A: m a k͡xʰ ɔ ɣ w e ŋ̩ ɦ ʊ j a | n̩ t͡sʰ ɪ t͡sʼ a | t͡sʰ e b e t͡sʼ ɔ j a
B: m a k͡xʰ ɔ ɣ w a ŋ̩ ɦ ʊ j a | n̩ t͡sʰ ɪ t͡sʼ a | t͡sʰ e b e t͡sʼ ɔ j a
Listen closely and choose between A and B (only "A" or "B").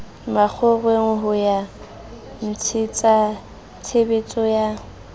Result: A